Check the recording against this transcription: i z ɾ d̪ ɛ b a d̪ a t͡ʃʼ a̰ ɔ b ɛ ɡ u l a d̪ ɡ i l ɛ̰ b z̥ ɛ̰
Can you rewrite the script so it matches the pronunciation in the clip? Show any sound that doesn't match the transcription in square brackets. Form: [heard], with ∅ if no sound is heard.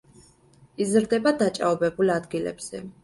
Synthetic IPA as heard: i z ɾ d̪ ɛ b a d̪ a t͡ʃʼ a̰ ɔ b ɛ [b] u l a d̪ ɡ i l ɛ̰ b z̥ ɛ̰

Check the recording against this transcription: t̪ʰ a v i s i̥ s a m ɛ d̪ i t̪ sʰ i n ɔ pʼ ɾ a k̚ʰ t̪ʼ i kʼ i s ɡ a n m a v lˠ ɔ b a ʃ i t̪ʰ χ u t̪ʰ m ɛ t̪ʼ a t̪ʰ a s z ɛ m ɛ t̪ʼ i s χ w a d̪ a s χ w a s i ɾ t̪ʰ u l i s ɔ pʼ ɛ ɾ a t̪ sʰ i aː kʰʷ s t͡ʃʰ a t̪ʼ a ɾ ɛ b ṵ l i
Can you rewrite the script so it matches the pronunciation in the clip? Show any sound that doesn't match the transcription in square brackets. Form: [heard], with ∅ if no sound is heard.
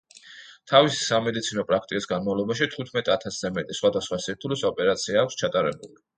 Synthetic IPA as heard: t̪ʰ a v i s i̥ s a m ɛ d̪ i t̪ sʰ i n ɔ pʼ ɾ a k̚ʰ t̪ʼ i kʼ i s ɡ a n m a v lˠ ɔ b a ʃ i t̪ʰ χ u t̪ʰ m ɛ t̪ʼ a t̪ʰ a s z ɛ m ɛ t̪ʼ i s χ w a d̪ a s χ w a s i ɾ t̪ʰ u l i s ɔ pʼ ɛ ɾ a t̪ sʰ i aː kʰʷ s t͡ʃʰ a t̪ʼ a ɾ ɛ b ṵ l i

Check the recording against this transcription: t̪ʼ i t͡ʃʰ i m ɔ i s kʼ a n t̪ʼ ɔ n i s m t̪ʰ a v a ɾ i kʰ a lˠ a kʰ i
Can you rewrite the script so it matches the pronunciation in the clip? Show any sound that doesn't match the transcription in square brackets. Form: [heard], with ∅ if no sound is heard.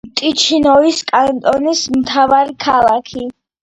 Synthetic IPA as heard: t̪ʼ i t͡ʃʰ i [n] ɔ i s kʼ a n t̪ʼ ɔ n i s m t̪ʰ a v a ɾ i kʰ a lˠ a kʰ i

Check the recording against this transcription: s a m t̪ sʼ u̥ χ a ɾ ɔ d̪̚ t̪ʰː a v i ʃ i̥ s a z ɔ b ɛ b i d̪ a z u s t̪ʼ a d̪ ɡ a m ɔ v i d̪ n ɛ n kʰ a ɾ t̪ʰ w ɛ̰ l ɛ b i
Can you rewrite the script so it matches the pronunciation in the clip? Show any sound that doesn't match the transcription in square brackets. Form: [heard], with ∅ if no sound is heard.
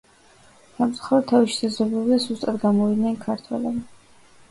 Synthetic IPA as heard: s a m t̪ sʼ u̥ χ a ɾ ɔ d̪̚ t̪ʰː a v i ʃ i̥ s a z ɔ b ɛ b i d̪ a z u s t̪ʼ a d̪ ɡ a m ɔ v i d̪ n ɛ n kʰ a ɾ t̪ʰ w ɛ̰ l ɛ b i

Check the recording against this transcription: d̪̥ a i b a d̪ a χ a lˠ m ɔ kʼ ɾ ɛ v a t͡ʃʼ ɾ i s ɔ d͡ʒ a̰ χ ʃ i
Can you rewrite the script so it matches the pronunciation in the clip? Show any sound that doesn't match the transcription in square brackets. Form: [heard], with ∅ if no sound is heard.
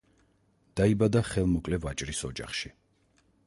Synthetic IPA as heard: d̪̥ a i b a d̪ a χ [ɛ] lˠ m ɔ kʼ [l] ɛ v a t͡ʃʼ ɾ i s ɔ d͡ʒ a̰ χ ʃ i

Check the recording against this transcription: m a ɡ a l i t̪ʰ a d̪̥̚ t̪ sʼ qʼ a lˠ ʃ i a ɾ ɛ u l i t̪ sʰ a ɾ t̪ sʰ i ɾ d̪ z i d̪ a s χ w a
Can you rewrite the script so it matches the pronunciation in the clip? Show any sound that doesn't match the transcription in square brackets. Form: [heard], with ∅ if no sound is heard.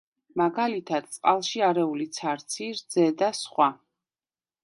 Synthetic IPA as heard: m a ɡ a l i t̪ʰ a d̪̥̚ t̪ sʼ qʼ a lˠ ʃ i a ɾ ɛ u l i t̪ sʰ a ɾ t̪ sʰ i ɾ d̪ z [ɛ] d̪ a s χ w a

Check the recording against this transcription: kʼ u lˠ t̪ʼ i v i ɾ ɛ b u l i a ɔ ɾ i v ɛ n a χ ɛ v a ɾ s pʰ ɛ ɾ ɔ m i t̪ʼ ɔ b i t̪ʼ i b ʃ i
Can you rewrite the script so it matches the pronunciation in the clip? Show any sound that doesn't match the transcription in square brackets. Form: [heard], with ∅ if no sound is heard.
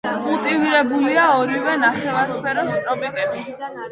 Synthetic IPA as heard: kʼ u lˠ t̪ʼ i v i ɾ ɛ b u l i a ɔ ɾ i v ɛ n a χ ɛ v a ɾ s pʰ ɛ ɾ ɔ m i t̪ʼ ɔ b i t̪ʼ [ɛ] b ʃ i

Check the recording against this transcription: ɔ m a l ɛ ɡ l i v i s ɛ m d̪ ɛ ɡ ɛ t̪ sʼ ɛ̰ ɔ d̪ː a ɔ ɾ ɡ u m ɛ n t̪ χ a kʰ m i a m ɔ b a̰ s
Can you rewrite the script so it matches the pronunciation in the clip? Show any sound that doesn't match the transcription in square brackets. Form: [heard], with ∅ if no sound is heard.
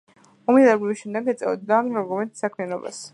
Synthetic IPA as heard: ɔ m [i] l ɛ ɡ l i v i [ʃ] ɛ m d̪ ɛ ɡ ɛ t̪ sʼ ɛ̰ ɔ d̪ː a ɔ ɾ ɡ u m ɛ n t̪ [s] a kʰ m i a [n] ɔ b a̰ s

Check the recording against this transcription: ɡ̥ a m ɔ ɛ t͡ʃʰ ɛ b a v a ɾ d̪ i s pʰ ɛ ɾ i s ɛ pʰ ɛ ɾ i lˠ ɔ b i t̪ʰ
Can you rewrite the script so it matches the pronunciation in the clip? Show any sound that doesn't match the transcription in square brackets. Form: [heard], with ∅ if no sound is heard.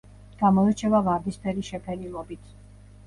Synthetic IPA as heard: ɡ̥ a m ɔ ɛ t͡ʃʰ ɛ [v] a v a ɾ d̪ i s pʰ ɛ ɾ i [ʃ] ɛ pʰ ɛ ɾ i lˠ ɔ b i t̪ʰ

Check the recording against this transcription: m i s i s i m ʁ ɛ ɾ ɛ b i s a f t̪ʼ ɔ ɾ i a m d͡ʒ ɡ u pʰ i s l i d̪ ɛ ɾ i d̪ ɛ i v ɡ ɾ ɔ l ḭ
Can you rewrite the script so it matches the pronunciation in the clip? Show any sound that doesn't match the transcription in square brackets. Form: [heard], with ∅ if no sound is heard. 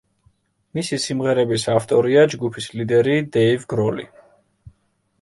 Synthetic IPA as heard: m i s i s i m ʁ ɛ ɾ ɛ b i s a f t̪ʼ ɔ ɾ i a [∅] d͡ʒ ɡ u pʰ i s l i d̪ ɛ ɾ i d̪ ɛ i v ɡ ɾ ɔ l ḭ

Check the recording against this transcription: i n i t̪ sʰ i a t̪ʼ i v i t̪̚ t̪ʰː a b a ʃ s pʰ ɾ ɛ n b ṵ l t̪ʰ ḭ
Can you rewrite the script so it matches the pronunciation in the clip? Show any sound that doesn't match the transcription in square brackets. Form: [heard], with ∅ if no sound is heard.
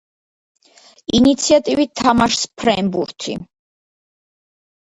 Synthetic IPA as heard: i n i t̪ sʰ i a t̪ʼ i v i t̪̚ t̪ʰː a [m] a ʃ s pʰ ɾ ɛ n b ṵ [ɾ] t̪ʰ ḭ

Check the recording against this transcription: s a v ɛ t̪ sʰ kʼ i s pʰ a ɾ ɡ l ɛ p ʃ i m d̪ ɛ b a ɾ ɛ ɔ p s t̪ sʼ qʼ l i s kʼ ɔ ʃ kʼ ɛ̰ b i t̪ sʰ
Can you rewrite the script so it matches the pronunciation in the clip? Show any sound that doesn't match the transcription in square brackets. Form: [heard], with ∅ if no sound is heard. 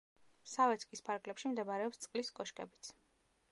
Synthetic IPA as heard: s a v ɛ t̪ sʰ kʼ i s pʰ a ɾ ɡ l ɛ p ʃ i m d̪ ɛ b a ɾ ɛ ɔ p s t̪ sʼ qʼ l i s kʼ ɔ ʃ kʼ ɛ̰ b i t̪ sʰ

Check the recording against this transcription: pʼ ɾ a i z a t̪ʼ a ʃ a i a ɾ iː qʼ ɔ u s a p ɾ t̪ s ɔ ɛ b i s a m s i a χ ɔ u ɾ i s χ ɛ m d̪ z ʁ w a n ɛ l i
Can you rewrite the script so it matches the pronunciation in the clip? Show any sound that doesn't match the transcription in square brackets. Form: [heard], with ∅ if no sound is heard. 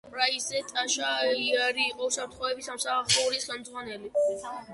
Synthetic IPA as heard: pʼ ɾ a i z [ɛ] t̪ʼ a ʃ a i a ɾ iː qʼ ɔ u s a p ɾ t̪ [χ] ɔ ɛ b i s a m s [a] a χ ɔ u ɾ i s χ ɛ m d̪ z ʁ w a n ɛ l i

